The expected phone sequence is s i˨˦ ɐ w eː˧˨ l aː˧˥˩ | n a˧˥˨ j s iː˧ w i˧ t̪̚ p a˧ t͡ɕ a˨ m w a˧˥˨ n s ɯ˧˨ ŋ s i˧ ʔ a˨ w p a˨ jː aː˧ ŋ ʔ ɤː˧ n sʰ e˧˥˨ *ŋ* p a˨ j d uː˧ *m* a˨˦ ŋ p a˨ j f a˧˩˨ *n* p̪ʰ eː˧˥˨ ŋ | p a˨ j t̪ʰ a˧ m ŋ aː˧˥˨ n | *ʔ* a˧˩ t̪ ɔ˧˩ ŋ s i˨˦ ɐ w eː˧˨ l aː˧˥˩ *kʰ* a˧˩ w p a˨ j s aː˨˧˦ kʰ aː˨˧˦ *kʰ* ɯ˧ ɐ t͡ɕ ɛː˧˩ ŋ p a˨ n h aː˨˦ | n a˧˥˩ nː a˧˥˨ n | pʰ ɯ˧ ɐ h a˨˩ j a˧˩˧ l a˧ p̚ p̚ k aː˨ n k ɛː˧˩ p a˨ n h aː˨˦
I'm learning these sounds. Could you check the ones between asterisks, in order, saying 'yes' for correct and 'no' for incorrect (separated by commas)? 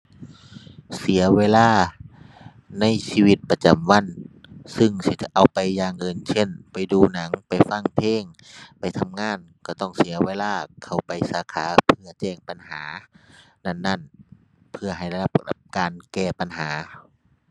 no, no, no, no, yes, no